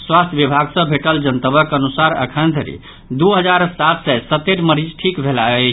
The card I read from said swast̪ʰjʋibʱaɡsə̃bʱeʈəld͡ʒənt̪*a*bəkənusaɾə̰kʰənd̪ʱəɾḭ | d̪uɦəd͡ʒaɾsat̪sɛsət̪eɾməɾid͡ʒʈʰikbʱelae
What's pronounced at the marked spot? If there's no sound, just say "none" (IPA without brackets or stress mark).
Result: ə